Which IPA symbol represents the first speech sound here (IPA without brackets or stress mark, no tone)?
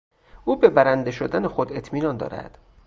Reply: uː